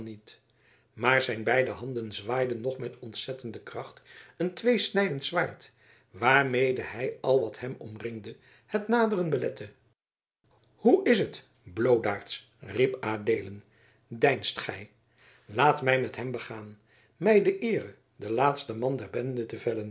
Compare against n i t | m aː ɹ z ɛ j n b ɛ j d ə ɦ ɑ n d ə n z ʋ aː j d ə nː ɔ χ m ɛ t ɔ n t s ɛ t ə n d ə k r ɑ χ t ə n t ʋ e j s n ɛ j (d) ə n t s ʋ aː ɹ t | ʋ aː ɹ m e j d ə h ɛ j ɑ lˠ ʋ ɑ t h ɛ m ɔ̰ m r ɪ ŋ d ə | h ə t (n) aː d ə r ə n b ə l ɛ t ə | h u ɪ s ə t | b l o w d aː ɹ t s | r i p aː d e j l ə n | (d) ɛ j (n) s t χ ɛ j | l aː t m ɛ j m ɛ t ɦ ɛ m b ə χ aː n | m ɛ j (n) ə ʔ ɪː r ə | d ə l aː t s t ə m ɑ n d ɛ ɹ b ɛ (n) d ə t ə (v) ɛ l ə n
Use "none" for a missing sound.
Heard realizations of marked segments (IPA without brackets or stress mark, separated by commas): d, n, d, n, d, n, v